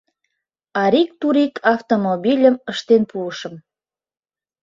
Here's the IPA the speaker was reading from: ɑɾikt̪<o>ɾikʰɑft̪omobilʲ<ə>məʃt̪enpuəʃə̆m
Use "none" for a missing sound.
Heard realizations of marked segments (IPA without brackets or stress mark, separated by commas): u, ə